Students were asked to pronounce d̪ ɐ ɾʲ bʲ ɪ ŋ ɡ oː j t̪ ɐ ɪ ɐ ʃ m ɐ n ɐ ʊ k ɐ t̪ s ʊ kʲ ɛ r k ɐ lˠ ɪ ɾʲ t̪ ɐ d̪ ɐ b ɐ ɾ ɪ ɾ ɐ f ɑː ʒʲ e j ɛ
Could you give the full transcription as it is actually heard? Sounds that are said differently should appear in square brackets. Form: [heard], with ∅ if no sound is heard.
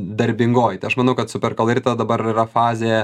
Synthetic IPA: d̪ ɐ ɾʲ bʲ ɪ ŋ ɡ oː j t̪ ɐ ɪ ɐ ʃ m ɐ n ɐ ʊ k ɐ t̪ s ʊ [pʲ] ɛ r k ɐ lˠ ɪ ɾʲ t̪ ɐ d̪ ɐ b ɐ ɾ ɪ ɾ ɐ f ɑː [zʲ] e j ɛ